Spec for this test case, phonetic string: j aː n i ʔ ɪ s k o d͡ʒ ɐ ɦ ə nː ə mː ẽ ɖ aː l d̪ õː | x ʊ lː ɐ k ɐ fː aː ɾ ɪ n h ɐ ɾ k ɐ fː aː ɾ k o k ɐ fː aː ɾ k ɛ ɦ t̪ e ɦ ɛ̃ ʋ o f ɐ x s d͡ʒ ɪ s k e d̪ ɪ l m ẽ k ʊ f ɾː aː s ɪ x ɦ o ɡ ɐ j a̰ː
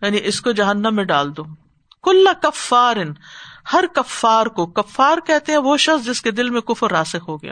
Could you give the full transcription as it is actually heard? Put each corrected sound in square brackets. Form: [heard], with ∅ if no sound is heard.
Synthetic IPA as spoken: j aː n i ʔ ɪ s k o d͡ʒ ɐ ɦ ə nː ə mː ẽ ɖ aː l d̪ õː | [k] ʊ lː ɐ k ɐ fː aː ɾ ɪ n h ɐ ɾ k ɐ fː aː ɾ k o k ɐ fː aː ɾ k ɛ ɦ t̪ e ɦ ɛ̃ ʋ o [ʃ] ɐ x s d͡ʒ ɪ s k e d̪ ɪ l m ẽ k ʊ f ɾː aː s ɪ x ɦ o ɡ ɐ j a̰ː